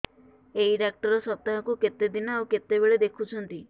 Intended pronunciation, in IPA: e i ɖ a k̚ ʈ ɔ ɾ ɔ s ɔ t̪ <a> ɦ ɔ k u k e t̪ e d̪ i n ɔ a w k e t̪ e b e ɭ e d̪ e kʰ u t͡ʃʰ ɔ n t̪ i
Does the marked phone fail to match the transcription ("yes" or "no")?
no